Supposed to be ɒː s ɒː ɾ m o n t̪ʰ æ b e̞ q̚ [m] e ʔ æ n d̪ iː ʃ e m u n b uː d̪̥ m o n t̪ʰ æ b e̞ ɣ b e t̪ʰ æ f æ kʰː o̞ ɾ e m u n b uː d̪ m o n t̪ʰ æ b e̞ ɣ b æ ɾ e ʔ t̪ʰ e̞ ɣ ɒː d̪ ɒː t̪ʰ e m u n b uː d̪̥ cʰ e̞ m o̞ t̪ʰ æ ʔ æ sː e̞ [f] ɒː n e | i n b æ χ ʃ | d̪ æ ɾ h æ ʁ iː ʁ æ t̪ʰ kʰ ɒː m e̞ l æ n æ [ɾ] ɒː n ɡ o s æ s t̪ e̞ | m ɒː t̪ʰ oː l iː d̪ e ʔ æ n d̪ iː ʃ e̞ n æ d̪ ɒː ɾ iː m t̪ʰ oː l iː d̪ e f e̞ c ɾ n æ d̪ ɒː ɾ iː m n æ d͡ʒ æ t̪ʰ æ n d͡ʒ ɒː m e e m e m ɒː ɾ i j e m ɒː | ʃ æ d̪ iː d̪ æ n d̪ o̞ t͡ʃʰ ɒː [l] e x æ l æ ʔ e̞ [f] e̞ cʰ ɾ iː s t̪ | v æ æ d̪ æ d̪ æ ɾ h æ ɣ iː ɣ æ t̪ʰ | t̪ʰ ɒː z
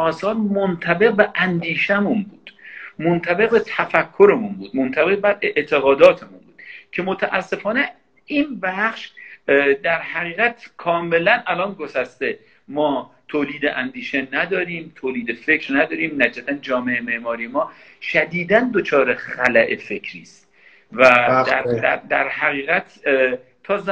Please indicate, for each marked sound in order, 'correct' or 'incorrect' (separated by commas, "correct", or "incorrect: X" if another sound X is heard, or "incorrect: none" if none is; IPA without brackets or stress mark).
incorrect: b, correct, incorrect: l, incorrect: ɾ, correct